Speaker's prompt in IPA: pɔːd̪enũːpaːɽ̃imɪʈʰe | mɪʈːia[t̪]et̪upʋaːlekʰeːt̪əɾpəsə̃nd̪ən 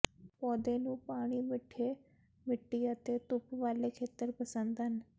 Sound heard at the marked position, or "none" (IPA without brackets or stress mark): t̪